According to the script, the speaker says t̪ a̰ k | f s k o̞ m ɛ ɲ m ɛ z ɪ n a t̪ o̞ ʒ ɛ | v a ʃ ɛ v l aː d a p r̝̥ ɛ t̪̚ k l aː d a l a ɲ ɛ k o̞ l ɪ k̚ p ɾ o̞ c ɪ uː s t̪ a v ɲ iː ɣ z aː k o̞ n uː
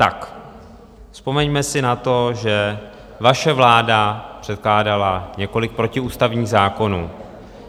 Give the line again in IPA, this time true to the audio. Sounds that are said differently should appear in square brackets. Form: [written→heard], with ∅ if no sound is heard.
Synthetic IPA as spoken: t̪ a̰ k | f s [k→p] o̞ m ɛ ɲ m ɛ [z→s] ɪ n a t̪ o̞ ʒ ɛ | v a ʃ ɛ v l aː d a p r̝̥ ɛ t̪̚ k l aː d a l a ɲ ɛ k o̞ l ɪ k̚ p ɾ o̞ c ɪ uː s t̪ a v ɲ iː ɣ z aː k o̞ n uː

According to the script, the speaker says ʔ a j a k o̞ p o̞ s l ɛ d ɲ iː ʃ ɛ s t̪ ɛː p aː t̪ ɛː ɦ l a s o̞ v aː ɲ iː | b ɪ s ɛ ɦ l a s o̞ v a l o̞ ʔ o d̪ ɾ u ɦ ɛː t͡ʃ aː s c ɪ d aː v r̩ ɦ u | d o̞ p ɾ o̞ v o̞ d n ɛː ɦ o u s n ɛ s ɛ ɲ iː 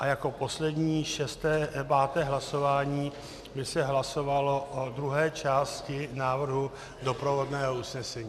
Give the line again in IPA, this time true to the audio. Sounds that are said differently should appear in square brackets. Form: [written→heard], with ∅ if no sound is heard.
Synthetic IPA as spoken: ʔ a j a k o̞ p o̞ s l ɛ d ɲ iː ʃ ɛ s t̪ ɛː p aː t̪ ɛː ɦ l a s o̞ v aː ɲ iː | b ɪ s ɛ ɦ l a s o̞ v a l o̞ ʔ o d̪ ɾ u ɦ ɛː t͡ʃ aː s c ɪ [d→n] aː v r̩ ɦ u | d o̞ p ɾ o̞ v o̞ d n ɛː ɦ o u s n ɛ s ɛ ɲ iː

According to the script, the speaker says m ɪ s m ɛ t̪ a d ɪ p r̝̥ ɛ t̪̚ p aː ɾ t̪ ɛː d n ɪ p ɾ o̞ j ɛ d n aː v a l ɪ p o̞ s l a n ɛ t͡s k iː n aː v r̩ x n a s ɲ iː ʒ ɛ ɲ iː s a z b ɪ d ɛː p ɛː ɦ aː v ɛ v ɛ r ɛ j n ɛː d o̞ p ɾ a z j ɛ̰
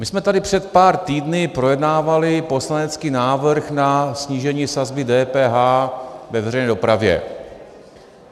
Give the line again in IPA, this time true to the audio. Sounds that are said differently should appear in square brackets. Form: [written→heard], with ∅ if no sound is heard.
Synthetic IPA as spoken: m ɪ s m ɛ t̪ a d ɪ p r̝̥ ɛ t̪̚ p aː ɾ t̪ [ɛː→iː] d n ɪ p ɾ o̞ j ɛ d n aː v a l ɪ p o̞ s l a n ɛ t͡s k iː n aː v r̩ x n a s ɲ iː ʒ ɛ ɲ iː s a z b ɪ d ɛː p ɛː ɦ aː v ɛ v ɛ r ɛ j n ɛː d o̞ p ɾ a [z→v] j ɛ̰

